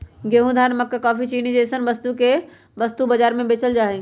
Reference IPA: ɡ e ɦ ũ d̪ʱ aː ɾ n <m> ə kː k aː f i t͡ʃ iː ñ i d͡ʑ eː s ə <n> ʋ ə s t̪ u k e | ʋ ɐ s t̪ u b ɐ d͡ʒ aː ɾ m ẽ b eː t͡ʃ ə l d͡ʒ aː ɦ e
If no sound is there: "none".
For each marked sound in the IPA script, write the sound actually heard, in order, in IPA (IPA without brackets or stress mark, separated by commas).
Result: m, n